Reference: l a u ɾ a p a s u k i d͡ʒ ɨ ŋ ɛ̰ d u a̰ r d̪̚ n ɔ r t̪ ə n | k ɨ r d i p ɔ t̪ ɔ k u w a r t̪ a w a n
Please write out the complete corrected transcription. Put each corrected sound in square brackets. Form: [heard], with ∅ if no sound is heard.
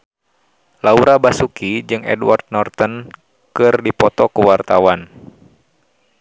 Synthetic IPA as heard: l a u ɾ a [b] a s u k i d͡ʒ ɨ ŋ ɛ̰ d [w] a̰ r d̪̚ n ɔ r t̪ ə n | k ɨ r d i p ɔ t̪ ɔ k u w a r t̪ a w a n